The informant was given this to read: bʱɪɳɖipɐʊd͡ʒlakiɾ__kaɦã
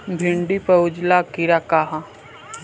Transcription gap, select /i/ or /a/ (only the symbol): a